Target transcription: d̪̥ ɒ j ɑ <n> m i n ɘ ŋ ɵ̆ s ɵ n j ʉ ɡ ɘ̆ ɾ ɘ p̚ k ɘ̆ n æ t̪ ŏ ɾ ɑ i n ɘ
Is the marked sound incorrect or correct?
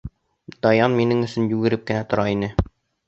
correct